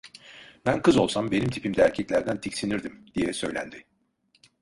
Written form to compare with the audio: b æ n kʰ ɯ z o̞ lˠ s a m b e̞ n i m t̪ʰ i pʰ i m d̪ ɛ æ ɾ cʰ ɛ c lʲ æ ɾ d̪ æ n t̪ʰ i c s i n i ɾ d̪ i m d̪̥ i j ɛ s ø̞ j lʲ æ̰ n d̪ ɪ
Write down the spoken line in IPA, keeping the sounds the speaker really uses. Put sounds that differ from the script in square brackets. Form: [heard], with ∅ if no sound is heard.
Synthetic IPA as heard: b æ n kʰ ɯ z o̞ lˠ s a m b e̞ n i m t̪ʰ i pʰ i m d̪ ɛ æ ɾ cʰ ɛ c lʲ æ ɾ d̪ æ n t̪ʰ i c s i n i ɾ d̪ i m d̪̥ i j ɛ s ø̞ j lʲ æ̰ n d̪ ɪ